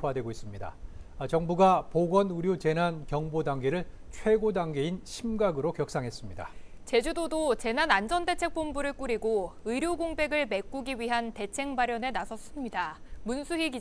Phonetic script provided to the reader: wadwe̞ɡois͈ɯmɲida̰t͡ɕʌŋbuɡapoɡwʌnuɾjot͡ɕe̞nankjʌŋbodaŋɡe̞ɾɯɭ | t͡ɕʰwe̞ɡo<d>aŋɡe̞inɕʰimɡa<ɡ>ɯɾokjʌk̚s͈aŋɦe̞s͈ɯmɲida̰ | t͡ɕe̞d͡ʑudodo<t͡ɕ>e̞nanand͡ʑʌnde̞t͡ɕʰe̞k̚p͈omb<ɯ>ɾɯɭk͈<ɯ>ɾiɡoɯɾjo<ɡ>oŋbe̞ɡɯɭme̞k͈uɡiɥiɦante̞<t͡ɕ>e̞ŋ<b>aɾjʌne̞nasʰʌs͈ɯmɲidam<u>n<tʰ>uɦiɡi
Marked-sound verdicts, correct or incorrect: correct, correct, correct, incorrect, incorrect, correct, incorrect, correct, correct, incorrect

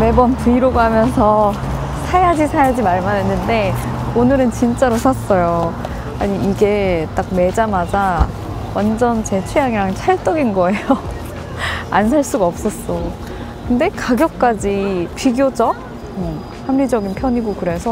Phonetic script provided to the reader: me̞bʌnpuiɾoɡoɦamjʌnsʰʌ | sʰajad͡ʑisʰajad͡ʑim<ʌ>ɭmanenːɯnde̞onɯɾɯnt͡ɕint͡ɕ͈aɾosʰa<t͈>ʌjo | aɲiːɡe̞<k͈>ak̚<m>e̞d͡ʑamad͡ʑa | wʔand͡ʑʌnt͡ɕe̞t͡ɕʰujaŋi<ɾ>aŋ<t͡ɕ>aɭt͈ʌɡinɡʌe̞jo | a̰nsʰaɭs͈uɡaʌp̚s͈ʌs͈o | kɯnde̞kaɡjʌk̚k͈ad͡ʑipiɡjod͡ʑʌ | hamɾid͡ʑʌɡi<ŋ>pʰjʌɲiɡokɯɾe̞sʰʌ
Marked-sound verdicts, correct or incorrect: incorrect, incorrect, incorrect, correct, correct, incorrect, incorrect

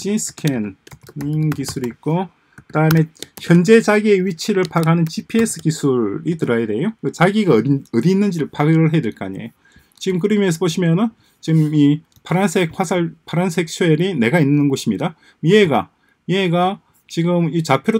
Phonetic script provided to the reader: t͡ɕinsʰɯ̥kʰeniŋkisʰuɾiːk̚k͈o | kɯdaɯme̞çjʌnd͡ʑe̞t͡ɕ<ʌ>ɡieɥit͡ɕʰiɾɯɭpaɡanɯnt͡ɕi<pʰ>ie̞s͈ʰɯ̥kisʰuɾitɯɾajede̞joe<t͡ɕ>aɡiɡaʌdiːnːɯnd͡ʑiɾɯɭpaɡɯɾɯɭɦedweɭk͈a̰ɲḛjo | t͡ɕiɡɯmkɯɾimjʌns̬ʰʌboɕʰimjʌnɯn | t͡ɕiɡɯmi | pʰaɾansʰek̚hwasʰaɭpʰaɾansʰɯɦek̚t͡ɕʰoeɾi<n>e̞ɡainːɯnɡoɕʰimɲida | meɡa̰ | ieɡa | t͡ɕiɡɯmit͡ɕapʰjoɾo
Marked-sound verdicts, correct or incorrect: incorrect, correct, correct, correct

